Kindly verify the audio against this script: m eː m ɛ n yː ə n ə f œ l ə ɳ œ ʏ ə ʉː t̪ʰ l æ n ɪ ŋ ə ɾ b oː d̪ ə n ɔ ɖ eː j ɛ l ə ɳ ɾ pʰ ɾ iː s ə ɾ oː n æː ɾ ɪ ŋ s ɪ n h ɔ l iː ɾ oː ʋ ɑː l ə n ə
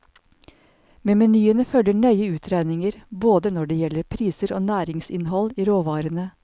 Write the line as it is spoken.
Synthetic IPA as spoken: m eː m ɛ n yː ə n ə f œ l ə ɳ œ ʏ ə ʉː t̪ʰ ɾ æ n ɪ ŋ ə ɾ b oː d̪ ə n ɔ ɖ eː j ɛ l ə ɾ pʰ ɾ iː s ə ɾ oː n æː ɾ ɪ ŋ s ɪ n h ɔ l iː ɾ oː ʋ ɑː ɾ ə n ə